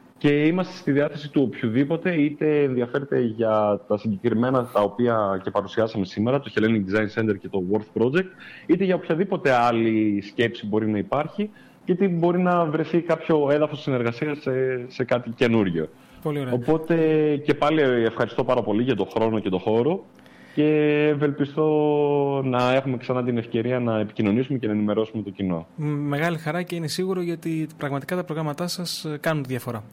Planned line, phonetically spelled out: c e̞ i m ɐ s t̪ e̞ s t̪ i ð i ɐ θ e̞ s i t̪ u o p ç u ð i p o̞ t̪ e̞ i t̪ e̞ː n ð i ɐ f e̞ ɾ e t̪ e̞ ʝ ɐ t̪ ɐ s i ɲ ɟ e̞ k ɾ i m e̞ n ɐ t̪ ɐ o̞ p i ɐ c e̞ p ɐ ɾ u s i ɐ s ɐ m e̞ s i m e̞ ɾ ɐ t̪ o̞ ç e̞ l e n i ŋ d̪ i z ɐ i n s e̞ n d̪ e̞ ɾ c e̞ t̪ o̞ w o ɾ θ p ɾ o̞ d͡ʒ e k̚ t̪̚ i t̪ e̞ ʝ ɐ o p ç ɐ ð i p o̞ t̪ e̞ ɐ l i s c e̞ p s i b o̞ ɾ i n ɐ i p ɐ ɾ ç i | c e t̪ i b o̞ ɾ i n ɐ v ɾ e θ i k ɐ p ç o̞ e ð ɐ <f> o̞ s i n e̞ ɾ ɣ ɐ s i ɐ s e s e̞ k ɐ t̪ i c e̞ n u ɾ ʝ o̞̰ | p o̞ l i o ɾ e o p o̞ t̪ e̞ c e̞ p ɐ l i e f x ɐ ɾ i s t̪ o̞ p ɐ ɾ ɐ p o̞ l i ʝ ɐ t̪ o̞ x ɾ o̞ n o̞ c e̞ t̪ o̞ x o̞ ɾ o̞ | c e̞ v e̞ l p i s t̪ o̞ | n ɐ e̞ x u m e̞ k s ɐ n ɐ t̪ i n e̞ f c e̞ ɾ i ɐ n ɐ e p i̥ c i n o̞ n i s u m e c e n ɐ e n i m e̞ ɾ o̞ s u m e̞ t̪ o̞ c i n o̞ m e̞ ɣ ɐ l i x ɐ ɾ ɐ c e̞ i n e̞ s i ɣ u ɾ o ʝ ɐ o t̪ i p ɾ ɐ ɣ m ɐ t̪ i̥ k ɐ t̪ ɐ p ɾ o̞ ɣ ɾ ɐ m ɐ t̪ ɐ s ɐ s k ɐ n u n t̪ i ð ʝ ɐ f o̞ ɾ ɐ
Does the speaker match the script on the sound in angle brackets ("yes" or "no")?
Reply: yes